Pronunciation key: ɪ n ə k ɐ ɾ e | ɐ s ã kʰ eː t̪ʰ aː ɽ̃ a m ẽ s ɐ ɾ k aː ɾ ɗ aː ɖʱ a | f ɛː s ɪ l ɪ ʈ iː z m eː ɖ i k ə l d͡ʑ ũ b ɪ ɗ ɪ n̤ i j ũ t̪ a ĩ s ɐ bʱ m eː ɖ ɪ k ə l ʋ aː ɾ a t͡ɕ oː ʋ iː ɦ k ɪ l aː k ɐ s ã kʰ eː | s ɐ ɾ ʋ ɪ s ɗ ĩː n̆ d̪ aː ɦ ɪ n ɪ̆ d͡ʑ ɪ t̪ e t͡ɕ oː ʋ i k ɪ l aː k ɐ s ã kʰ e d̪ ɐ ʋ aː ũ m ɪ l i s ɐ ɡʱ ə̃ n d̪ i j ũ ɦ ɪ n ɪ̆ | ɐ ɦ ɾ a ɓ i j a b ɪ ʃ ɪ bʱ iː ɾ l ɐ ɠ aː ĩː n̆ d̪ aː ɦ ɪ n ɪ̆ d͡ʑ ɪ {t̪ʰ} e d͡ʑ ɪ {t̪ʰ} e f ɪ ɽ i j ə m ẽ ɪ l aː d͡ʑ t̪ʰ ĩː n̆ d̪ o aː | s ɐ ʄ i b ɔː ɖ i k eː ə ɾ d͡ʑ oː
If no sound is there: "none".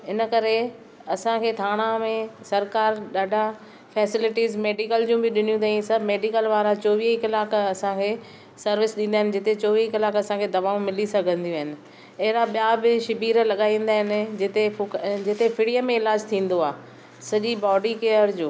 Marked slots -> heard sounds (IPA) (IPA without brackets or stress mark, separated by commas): t̪, t̪